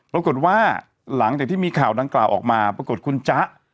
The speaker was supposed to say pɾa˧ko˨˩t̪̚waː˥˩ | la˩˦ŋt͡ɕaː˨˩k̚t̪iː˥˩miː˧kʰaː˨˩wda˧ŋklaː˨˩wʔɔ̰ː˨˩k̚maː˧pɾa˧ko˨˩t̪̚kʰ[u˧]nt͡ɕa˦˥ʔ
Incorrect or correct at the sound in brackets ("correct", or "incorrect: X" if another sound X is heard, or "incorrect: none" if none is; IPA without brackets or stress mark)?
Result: correct